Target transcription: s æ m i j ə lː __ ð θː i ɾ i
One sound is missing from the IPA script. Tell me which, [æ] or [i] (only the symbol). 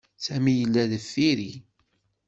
æ